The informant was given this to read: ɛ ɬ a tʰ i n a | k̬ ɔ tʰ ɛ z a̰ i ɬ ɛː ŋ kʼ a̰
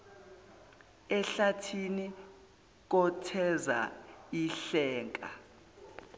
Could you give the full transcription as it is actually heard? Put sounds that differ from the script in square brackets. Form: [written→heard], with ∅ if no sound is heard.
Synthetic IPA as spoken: ɛ ɬ a tʰ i n [a→i] | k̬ ɔ tʰ ɛ z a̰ i ɬ ɛː ŋ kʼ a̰